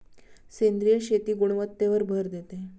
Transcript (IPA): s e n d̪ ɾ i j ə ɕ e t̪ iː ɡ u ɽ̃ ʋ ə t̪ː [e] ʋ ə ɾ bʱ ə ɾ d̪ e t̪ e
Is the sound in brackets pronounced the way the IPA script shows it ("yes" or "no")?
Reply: yes